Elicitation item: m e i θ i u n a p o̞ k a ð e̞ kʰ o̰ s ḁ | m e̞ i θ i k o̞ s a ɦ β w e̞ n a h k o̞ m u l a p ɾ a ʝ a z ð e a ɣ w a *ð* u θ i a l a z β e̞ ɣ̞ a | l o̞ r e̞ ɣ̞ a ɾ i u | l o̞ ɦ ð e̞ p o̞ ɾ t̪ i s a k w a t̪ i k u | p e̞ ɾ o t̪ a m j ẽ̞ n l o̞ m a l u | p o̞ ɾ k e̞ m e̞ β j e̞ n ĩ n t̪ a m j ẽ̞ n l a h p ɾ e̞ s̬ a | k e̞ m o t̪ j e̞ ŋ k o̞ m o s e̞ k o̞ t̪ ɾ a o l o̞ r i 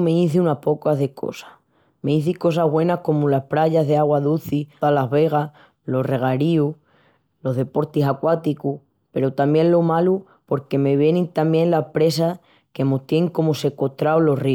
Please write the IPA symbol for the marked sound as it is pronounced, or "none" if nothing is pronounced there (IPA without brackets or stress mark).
ð